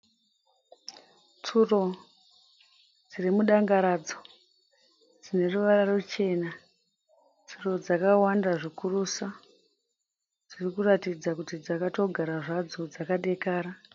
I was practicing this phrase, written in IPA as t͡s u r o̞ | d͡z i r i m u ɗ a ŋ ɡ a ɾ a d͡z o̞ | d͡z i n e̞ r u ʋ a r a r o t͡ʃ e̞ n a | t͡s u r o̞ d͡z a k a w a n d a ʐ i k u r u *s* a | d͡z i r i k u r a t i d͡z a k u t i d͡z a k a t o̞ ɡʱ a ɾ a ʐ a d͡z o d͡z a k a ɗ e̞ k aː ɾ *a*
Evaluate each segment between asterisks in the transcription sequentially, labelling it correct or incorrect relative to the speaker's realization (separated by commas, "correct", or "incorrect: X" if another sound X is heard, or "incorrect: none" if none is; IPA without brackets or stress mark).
correct, correct